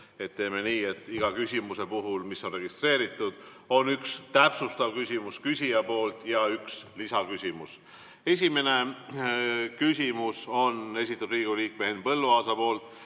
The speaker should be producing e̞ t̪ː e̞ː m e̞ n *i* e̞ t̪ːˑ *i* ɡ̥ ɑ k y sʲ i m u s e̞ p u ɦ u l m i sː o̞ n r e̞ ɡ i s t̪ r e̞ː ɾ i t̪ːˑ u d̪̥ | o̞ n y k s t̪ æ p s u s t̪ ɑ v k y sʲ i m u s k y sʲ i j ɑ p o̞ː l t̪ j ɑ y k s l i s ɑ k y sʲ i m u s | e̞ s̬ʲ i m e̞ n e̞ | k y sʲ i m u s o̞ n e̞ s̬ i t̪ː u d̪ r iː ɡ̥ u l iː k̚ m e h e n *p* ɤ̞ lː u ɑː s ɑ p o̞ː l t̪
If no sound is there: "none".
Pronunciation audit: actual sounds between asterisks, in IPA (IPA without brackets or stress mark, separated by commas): iː, i, p